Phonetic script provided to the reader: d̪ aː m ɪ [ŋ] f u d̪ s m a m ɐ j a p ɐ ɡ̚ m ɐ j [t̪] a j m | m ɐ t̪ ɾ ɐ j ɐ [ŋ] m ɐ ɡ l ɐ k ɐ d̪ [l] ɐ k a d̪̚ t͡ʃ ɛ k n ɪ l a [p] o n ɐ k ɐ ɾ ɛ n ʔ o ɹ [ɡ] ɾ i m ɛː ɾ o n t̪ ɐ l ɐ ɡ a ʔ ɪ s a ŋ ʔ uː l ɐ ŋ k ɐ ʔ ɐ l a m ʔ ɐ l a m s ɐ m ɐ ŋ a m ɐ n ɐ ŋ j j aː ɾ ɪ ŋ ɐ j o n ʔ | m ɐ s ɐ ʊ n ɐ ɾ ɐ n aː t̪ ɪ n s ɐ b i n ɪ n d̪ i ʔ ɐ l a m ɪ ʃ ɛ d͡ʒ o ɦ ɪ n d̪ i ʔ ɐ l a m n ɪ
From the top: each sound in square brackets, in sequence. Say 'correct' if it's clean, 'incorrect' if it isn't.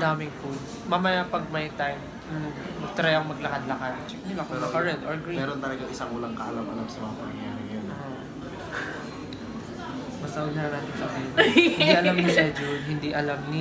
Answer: correct, correct, correct, correct, incorrect: k, correct

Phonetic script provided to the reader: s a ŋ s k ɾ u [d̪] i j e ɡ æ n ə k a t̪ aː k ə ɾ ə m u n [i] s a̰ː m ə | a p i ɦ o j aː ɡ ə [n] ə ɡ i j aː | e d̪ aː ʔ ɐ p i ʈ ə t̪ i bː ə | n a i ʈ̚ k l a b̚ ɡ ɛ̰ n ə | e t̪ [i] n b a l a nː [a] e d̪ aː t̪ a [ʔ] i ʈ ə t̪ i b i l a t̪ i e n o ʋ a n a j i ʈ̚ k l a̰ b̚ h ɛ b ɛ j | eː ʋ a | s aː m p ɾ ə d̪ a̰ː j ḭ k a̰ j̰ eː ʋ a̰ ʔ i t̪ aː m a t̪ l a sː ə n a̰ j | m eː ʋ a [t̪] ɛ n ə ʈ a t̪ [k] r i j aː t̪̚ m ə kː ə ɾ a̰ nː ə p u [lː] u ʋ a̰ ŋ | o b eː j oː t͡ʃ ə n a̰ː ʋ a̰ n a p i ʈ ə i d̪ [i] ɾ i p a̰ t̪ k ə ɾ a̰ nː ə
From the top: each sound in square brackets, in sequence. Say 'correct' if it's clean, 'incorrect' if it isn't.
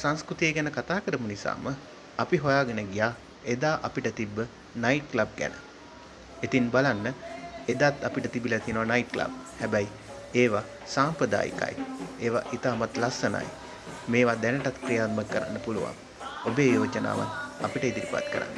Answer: incorrect: t̪, correct, correct, correct, incorrect: ə, incorrect: p, incorrect: d̪, correct, incorrect: l, correct

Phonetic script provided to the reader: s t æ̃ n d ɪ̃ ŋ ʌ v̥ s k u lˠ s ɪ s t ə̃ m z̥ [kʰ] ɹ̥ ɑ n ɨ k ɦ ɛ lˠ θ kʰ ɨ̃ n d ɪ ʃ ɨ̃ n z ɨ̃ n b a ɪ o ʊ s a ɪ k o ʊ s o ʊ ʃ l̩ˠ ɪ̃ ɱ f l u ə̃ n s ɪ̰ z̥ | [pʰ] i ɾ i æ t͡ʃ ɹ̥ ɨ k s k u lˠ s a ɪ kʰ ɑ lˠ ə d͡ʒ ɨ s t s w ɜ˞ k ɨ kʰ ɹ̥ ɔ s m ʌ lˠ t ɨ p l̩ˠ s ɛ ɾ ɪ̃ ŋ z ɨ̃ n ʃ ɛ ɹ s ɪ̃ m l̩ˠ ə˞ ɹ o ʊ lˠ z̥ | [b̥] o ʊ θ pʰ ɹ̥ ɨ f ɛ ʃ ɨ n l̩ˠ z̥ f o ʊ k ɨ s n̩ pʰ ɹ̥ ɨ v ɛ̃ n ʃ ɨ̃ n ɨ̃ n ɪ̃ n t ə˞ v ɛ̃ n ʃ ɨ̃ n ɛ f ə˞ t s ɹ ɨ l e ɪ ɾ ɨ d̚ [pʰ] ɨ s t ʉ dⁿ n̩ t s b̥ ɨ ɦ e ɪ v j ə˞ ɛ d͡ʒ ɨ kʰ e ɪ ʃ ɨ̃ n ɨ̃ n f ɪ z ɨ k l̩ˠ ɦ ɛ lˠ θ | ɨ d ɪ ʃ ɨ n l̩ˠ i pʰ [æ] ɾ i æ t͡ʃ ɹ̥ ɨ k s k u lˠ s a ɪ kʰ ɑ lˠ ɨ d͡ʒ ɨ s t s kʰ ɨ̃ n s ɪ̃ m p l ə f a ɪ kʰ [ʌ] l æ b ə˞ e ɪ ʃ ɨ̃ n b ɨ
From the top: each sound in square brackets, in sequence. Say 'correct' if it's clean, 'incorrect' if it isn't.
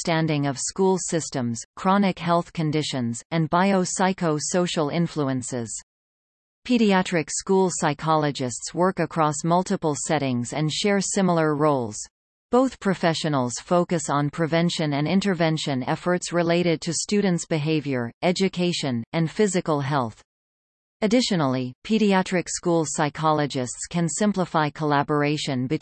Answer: correct, correct, correct, incorrect: tʰ, incorrect: i, incorrect: ə

